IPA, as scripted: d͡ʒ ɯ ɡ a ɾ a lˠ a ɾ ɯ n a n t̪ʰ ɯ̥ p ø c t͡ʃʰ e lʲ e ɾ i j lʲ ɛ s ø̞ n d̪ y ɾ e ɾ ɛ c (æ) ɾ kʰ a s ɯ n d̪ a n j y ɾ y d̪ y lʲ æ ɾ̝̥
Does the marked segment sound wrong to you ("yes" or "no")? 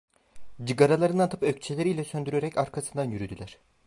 yes